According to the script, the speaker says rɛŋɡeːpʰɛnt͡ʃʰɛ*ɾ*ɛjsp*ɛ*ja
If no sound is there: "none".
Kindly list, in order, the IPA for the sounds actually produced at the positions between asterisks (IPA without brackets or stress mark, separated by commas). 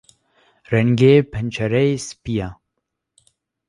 ɾ, i